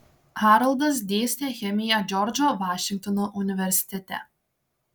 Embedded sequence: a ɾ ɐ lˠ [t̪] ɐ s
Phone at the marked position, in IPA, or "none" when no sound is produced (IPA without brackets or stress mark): d̪